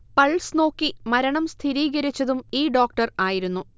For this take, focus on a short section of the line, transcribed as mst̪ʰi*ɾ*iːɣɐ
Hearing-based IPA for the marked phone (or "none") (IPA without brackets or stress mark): ɾ